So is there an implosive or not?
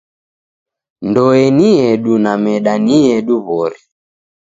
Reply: yes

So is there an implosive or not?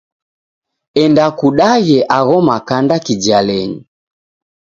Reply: yes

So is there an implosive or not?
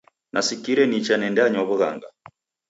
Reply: no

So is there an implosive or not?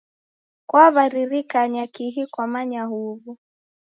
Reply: no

